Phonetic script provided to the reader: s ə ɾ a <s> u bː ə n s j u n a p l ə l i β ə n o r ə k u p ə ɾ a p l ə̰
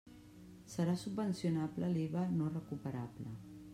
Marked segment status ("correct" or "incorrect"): correct